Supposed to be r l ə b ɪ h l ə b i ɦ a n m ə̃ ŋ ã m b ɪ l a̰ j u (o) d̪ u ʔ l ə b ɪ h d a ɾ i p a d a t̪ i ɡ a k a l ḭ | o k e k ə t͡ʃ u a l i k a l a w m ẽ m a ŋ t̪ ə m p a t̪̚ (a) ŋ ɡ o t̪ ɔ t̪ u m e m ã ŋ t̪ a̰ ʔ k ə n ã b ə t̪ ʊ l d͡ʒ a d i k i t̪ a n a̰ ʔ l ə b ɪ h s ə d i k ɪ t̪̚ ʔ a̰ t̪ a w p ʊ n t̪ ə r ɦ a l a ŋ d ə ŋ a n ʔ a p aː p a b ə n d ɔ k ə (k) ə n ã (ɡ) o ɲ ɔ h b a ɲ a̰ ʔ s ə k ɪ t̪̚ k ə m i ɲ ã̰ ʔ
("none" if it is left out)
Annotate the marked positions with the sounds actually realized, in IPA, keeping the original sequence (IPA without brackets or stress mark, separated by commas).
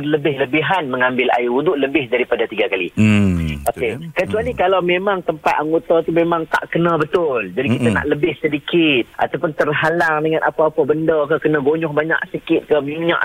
u, a, k, ɡ